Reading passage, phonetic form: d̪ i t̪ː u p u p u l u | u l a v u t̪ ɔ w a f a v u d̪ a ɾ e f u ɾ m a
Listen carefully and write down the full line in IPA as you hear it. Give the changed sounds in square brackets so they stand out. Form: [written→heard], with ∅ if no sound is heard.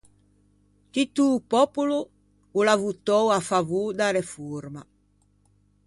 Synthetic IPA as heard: [d̪→t̪] i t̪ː u p [u→ɔ] p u l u | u l a v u t̪ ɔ w a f a v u d̪ a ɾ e f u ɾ m a